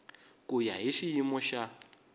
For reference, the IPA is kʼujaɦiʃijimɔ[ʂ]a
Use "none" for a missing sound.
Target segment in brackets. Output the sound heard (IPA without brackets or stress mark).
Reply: ʃ